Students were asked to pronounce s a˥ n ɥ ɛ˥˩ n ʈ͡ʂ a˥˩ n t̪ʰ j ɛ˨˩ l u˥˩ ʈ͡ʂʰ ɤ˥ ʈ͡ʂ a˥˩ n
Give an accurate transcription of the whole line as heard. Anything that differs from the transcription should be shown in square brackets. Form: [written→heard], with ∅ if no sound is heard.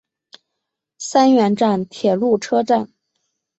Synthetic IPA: s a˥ n ɥ [ɛ˥˩→ɛ˧˥] n ʈ͡ʂ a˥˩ n t̪ʰ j ɛ˨˩ l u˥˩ ʈ͡ʂʰ ɤ˥ ʈ͡ʂ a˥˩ n